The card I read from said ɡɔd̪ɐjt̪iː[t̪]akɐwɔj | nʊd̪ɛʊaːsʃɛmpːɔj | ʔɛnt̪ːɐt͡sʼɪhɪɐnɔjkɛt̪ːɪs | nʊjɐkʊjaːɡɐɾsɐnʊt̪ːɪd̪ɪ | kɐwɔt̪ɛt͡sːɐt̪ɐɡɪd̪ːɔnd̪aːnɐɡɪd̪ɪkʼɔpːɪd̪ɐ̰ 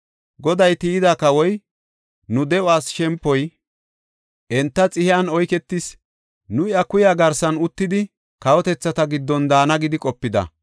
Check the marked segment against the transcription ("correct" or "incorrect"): incorrect